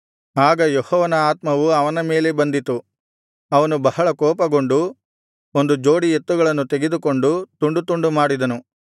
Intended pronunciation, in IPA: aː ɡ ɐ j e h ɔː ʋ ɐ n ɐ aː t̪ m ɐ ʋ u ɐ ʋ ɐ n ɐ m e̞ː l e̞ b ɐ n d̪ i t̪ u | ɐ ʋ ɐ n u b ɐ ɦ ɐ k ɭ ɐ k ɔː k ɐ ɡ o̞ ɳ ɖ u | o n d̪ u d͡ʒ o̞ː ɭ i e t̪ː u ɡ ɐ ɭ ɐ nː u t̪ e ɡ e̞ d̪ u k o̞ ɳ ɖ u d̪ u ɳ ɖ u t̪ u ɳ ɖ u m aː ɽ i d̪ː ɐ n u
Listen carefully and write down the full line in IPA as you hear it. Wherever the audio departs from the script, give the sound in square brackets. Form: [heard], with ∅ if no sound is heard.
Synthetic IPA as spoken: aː ɡ ɐ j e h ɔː ʋ ɐ n ɐ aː t̪ m ɐ ʋ u ɐ ʋ ɐ n ɐ m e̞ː l e̞ b ɐ n d̪ i t̪ u | ɐ ʋ ɐ n u b ɐ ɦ ɐ [∅] ɭ ɐ k ɔː [p] ɐ ɡ o̞ ɳ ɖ u | o n d̪ u d͡ʒ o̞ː [ɽ] i e t̪ː u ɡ ɐ ɭ ɐ nː u t̪ e ɡ e̞ d̪ u k o̞ ɳ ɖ u [t̪] u ɳ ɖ u t̪ u ɳ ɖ u m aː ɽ i [d̪] ɐ n u